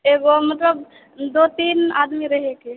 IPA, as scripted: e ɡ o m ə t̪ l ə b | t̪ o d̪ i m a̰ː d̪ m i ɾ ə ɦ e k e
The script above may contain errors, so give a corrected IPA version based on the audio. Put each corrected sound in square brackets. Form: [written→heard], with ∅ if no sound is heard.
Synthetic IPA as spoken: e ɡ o m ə t̪ l ə b | [t̪→d̪] o [d̪→t̪] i [m→n] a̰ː d̪ m i ɾ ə ɦ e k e